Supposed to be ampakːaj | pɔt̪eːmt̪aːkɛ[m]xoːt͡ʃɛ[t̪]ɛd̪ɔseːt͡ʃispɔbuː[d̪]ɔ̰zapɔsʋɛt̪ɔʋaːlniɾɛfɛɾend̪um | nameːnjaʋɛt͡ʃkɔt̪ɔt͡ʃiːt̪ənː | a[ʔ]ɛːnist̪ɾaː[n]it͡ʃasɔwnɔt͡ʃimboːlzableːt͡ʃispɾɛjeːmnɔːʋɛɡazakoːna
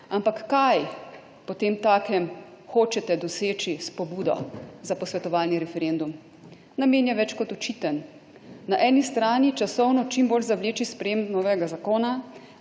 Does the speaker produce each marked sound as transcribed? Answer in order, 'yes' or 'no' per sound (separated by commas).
yes, yes, yes, yes, yes